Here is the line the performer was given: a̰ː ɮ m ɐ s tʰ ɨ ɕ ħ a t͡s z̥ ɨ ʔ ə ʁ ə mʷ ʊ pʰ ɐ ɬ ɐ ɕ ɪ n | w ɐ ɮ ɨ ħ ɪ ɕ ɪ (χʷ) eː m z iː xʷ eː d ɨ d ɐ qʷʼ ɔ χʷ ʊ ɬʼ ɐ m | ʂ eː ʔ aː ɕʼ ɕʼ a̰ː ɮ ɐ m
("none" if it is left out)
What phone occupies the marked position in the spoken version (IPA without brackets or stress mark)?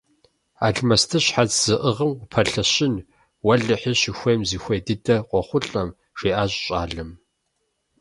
xʷ